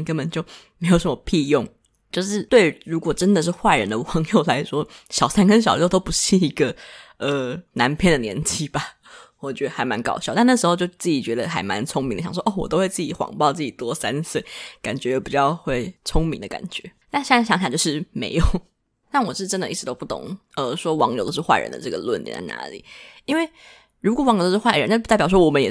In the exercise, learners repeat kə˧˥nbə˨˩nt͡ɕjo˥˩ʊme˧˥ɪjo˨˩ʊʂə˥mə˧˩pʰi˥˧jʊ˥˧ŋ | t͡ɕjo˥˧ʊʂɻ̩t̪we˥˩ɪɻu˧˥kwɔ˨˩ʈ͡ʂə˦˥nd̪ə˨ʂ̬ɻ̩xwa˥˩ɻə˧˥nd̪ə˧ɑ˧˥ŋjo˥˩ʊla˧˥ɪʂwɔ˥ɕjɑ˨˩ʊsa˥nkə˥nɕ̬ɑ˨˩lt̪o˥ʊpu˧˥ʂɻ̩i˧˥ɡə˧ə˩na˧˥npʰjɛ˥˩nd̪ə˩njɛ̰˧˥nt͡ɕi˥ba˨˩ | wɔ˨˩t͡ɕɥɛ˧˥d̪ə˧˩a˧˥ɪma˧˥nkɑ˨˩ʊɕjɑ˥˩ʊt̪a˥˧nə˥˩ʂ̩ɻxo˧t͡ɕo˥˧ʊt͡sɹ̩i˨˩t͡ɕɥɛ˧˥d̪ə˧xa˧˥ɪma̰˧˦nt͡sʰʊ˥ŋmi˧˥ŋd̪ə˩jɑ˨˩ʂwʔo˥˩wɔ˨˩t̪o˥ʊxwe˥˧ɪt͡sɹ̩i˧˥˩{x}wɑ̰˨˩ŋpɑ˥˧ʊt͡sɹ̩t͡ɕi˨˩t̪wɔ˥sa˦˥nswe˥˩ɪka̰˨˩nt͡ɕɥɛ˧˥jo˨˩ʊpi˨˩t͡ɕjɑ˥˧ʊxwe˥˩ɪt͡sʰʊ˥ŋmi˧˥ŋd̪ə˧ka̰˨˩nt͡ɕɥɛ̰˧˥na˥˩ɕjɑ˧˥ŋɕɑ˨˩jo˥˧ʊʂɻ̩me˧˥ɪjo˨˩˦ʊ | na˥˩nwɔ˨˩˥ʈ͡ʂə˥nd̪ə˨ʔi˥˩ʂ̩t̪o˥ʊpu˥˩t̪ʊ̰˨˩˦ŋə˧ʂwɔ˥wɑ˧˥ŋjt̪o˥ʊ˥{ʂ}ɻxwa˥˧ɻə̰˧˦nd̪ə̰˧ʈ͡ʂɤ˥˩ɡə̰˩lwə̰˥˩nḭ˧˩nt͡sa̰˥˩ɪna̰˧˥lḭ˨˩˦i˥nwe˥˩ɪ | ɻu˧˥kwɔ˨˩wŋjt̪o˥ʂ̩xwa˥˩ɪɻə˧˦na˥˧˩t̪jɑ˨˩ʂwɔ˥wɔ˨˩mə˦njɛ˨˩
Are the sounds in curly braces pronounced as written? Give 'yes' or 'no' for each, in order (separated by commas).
yes, yes